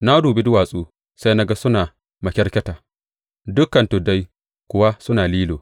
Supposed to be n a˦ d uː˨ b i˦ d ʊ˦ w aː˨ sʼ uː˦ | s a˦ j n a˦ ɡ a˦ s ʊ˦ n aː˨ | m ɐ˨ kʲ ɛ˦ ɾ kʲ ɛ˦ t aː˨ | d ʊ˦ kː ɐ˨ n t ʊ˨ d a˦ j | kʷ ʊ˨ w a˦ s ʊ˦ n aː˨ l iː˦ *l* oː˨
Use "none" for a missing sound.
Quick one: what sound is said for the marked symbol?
l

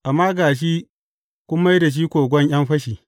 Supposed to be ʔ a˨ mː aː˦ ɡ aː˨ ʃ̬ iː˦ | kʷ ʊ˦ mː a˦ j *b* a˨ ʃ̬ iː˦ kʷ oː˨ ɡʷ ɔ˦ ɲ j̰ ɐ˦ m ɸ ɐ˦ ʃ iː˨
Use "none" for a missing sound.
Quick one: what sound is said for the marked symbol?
d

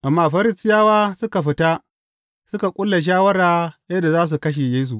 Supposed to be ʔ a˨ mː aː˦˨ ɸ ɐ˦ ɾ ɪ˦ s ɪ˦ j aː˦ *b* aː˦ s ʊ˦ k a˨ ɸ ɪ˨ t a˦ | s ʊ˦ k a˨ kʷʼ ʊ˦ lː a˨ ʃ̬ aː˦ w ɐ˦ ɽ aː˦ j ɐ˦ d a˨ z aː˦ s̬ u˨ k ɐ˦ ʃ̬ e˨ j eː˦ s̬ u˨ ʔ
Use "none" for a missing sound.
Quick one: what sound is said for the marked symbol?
w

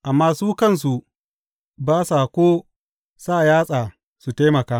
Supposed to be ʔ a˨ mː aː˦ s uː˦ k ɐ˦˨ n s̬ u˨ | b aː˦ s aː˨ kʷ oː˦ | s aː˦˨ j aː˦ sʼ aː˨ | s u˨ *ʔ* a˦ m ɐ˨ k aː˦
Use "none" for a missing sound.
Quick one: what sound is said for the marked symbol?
t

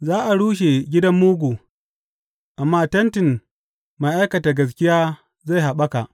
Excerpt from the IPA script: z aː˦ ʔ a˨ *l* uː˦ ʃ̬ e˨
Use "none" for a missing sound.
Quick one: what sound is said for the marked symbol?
ɽ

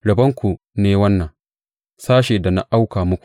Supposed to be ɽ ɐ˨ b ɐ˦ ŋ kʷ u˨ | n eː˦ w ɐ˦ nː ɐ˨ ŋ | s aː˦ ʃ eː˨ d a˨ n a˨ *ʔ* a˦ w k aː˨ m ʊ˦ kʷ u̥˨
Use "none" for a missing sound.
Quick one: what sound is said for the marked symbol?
ʔ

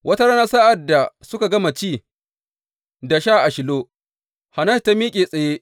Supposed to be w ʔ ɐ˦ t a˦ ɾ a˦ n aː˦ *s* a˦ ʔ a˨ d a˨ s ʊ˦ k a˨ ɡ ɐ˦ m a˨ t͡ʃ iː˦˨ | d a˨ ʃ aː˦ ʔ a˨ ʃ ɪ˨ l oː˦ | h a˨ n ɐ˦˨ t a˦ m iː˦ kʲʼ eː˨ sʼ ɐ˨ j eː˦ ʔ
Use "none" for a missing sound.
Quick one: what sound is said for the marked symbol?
s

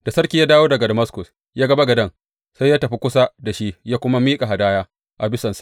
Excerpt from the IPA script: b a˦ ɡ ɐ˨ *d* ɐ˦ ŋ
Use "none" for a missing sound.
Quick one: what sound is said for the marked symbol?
d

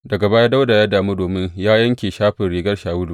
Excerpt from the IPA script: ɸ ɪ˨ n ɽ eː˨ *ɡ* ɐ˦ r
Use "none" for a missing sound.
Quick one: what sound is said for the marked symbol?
ɡ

